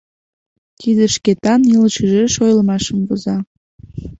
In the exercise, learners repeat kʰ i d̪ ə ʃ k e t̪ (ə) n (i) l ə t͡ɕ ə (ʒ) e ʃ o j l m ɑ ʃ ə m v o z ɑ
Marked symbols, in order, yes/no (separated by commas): no, yes, yes